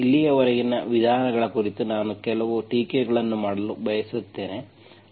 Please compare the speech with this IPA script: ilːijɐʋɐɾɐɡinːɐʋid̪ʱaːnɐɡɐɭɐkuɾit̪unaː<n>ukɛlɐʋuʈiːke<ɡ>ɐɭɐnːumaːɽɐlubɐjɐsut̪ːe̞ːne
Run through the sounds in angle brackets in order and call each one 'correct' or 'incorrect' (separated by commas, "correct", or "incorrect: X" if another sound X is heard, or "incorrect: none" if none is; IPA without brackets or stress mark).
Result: correct, correct